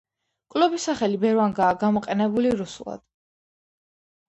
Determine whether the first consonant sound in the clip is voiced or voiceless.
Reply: voiceless